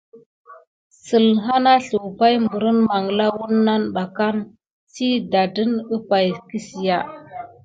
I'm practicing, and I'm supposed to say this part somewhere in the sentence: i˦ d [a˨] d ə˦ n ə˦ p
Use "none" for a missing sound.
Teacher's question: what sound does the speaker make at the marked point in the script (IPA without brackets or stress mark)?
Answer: a˨